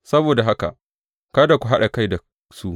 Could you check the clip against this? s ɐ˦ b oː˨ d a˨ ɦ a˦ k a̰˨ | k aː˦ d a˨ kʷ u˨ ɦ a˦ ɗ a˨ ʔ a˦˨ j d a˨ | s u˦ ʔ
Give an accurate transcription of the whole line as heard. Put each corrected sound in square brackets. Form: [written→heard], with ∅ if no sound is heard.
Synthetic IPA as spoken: s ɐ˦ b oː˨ d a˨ ɦ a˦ k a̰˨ | k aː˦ d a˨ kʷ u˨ ɦ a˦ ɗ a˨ [ʔ→k] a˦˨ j d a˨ | s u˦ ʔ